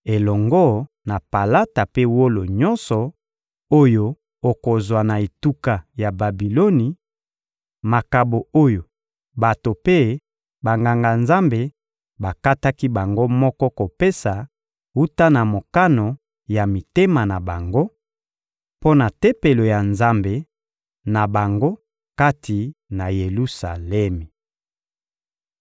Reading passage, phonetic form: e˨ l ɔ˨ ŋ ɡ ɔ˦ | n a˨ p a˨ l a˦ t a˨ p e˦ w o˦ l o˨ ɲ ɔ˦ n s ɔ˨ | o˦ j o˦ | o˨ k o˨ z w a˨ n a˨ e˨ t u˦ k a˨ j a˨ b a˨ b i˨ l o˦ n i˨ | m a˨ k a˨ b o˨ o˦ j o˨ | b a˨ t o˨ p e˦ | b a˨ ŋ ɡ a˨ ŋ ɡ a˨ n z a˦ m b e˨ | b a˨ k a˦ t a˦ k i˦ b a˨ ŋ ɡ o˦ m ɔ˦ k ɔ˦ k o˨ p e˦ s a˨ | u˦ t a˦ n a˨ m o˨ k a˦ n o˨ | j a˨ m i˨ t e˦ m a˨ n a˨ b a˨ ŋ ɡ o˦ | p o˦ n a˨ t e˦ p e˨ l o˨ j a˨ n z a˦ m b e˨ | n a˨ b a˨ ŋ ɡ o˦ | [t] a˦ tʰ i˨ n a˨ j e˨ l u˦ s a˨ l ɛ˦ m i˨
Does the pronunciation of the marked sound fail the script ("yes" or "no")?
yes